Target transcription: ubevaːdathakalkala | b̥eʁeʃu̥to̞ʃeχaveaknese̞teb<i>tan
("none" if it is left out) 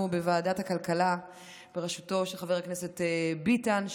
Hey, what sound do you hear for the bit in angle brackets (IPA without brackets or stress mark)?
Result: i